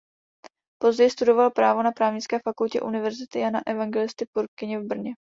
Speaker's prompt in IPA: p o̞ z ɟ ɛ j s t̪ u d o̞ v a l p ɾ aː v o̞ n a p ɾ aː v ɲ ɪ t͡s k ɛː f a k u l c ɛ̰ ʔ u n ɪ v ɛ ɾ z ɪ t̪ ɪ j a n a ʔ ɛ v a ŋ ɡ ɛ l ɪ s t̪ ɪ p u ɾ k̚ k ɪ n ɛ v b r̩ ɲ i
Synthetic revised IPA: p o̞ z ɟ ɛ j s t̪ u d o̞ v a l p ɾ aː v o̞ n a p ɾ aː v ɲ ɪ t͡s k ɛː f a k u l c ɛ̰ ʔ u n ɪ v ɛ ɾ z ɪ t̪ ɪ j a n a ʔ ɛ v a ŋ ɡ ɛ l ɪ s t̪ ɪ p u ɾ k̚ k ɪ ɲ ɛ v b r̩ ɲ ɛ